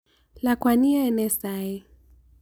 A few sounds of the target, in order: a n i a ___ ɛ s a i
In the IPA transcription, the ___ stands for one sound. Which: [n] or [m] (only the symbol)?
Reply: n